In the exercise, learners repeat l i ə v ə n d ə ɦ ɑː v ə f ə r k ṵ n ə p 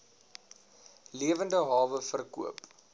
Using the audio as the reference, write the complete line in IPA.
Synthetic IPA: l i ə v ə n d ə ɦ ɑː v ə f ə r k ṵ ə p